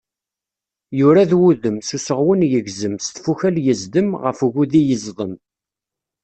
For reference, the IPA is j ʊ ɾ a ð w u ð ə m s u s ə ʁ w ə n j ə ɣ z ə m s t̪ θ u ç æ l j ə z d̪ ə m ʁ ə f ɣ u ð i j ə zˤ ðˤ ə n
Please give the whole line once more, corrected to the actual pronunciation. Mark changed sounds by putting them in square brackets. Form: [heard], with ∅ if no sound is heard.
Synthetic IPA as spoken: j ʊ ɾ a ð w u ð ə m s u s ə ʁ w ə n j ə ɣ z ə m s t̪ [f] u ç æ l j ə z d̪ ə m ʁ ə f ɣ u ð i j ə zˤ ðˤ ə [m]

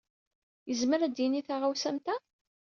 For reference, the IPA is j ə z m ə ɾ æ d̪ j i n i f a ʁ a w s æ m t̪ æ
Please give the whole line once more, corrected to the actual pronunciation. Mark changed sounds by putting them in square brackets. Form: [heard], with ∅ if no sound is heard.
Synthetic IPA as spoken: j ə z m ə ɾ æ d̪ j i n i [θ] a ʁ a w s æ m t̪ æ

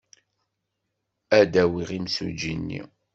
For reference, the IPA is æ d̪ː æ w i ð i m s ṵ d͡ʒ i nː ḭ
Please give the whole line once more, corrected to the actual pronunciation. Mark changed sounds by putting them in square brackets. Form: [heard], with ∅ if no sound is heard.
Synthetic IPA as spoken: æ [d̪] æ w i [ʁ] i m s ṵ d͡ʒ i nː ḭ

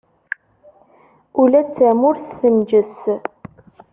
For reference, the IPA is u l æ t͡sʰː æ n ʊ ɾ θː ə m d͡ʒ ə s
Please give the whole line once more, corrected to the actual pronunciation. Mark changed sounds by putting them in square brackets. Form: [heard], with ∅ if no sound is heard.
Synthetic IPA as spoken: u l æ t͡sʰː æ [m] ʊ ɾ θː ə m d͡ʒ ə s

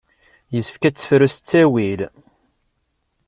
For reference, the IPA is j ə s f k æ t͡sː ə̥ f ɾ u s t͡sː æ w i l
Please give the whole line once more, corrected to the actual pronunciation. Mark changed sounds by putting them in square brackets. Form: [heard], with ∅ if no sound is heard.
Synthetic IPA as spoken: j ə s f k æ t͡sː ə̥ f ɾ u s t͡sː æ w i l

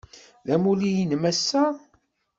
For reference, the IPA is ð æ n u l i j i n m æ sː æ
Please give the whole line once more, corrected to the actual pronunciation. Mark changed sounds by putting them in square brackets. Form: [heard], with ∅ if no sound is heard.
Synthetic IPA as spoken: ð æ [m] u l i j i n m æ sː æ

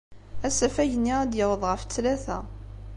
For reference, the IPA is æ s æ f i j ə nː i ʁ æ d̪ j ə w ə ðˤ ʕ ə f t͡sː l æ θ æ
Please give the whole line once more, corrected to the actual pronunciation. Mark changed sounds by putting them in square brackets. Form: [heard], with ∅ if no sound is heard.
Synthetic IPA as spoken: æ s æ f [æ] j ə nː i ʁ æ d̪ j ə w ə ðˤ [ʁ] ə f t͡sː l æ θ æ

